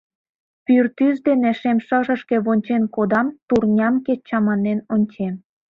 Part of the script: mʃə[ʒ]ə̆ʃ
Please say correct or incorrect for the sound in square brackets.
correct